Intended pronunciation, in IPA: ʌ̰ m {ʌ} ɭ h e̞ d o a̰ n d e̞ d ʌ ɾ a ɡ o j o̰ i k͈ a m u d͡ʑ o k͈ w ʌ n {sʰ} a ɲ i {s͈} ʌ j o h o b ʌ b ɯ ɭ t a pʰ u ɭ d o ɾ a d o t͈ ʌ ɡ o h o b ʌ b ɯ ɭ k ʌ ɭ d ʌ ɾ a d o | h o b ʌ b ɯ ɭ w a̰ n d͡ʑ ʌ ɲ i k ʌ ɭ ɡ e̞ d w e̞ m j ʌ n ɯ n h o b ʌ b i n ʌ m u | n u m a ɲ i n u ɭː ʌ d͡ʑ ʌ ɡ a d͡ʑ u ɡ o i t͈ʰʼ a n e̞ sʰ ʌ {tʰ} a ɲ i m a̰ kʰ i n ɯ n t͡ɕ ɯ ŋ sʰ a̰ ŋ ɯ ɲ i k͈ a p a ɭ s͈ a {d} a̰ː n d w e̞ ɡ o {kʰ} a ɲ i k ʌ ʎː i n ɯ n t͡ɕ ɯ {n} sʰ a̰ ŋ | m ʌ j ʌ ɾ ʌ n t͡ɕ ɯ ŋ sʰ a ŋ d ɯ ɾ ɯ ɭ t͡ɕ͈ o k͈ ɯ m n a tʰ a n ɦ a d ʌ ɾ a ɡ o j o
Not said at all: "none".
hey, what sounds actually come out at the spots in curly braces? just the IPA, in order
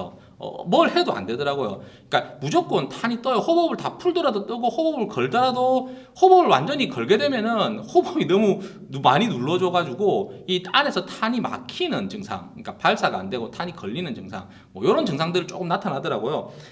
ʌ, tʰ, t͈, tʰ, ɡ, tʰ, ŋ

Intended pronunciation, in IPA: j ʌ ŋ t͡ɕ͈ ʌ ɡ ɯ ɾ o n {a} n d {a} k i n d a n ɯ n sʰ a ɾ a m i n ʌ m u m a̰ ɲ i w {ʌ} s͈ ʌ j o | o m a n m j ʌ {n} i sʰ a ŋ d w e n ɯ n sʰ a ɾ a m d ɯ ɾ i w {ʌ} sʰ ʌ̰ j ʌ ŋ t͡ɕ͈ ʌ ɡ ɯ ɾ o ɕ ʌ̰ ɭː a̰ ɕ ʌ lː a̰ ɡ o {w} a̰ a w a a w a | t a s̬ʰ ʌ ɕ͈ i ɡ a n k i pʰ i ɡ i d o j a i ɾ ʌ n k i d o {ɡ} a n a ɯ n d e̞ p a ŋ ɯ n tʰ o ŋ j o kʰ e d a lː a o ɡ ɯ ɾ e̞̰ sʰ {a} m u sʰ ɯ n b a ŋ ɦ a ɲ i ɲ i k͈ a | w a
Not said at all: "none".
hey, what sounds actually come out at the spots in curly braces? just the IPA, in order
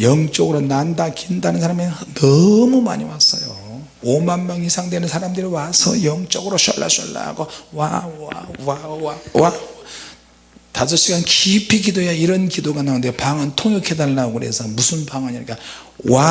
a, a, a, ŋ, a, w, ɡ, ʌ

